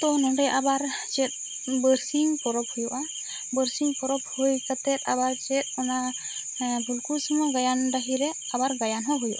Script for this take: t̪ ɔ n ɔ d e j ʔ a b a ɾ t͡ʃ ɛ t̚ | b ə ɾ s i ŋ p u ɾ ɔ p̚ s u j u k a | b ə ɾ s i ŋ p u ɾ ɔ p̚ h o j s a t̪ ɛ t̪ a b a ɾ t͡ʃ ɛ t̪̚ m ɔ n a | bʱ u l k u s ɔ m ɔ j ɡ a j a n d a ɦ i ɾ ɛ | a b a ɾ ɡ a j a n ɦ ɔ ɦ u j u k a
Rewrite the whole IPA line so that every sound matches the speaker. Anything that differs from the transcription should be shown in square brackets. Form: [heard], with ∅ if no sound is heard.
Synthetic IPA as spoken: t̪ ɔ n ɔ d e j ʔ a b a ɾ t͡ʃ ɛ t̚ | b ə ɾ s i ŋ p [ɔ] ɾ ɔ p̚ [h] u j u [ʔ] a | b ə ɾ s i ŋ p [ɔ] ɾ ɔ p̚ h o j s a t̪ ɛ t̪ a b a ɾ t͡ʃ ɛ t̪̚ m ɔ n a | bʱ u l k u s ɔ m ɔ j ɡ a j a n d a ɦ i ɾ ɛ | a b a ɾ ɡ a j a n ɦ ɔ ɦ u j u [ʔ] a